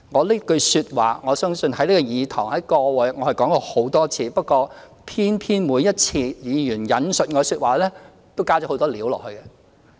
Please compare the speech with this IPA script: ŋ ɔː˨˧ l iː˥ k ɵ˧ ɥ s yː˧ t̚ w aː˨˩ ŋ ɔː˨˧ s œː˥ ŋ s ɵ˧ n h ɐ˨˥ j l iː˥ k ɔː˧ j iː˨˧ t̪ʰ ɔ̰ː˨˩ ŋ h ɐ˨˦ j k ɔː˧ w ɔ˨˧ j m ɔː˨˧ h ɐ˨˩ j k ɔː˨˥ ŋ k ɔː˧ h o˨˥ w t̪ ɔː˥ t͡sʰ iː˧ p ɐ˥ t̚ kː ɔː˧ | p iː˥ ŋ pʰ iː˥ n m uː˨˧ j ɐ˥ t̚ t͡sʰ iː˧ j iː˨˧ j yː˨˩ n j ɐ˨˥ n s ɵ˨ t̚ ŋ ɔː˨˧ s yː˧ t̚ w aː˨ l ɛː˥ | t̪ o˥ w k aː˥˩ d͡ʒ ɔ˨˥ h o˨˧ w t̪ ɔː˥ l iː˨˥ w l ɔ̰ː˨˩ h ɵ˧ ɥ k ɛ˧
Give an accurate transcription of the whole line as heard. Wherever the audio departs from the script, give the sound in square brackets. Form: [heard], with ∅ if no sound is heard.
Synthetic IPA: ŋ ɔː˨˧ l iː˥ k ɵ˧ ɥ s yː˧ t̚ w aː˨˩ ŋ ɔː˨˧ s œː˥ ŋ s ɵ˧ n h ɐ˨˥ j l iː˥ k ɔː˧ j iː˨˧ t̪ʰ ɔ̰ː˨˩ ŋ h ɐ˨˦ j k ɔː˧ w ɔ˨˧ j [ŋ] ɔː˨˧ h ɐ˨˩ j k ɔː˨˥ ŋ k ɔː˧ h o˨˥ w t̪ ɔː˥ t͡sʰ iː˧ p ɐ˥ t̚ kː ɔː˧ | [pʰ] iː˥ [n] pʰ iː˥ n m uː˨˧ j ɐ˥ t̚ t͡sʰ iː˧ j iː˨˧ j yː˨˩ n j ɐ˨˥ n s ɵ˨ t̚ ŋ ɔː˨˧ s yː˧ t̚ w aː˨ l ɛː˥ | t̪ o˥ w k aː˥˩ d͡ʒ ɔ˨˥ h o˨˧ w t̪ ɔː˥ l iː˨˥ w l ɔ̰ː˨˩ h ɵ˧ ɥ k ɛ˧